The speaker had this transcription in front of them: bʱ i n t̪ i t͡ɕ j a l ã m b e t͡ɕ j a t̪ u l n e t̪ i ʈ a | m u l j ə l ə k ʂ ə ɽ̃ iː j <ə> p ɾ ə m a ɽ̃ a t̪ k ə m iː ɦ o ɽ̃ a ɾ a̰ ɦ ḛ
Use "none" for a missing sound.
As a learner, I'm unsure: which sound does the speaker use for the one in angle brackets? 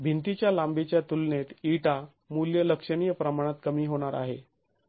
ə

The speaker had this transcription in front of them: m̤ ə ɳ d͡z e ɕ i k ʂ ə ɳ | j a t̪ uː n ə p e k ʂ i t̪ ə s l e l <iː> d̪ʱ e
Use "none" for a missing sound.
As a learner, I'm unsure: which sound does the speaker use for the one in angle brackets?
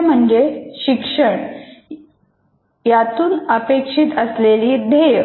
iː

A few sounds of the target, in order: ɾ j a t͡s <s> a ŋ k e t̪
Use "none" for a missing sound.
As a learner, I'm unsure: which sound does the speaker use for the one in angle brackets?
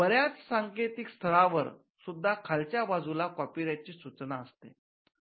s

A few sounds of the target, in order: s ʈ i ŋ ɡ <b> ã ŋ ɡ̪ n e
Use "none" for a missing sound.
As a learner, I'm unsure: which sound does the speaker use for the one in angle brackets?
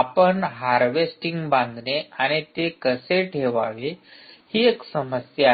b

